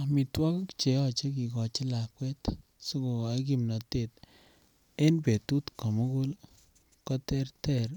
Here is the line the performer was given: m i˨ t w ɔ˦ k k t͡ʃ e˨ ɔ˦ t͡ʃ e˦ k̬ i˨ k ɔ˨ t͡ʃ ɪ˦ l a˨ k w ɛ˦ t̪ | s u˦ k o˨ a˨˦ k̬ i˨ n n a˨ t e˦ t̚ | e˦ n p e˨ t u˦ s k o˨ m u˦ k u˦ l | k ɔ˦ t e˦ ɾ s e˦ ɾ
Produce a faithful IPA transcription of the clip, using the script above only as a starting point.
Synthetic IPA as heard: m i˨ t w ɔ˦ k k t͡ʃ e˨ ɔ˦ t͡ʃ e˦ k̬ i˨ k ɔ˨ t͡ʃ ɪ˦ l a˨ k w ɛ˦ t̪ | s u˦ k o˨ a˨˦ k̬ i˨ m n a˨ t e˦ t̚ | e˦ n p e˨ t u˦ t k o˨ m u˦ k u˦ l | k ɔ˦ t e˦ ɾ t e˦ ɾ